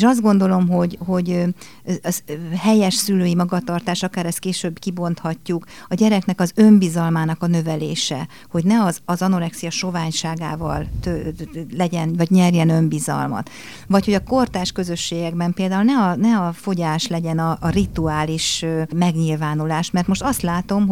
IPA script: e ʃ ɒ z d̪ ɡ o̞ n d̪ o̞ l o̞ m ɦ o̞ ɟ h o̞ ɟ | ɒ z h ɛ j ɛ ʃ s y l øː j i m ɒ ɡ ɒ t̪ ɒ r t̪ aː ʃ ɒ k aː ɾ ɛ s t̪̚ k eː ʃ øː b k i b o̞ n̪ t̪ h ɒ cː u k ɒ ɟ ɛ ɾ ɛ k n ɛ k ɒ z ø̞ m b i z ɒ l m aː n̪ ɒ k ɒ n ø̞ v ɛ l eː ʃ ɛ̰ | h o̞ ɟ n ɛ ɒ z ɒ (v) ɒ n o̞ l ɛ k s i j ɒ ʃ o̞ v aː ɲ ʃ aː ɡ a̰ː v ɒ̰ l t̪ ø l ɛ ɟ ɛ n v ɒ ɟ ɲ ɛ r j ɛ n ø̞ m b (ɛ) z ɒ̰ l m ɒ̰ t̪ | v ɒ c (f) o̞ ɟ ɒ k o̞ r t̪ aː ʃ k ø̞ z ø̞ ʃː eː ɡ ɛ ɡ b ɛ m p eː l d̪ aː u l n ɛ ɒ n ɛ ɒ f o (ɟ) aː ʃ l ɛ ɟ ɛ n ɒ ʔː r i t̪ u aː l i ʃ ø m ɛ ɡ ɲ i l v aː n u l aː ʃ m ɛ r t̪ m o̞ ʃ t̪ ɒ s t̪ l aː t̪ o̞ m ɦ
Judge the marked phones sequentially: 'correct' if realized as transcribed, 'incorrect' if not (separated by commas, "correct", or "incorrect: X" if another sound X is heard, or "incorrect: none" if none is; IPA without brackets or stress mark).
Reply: incorrect: z, incorrect: i, incorrect: h, correct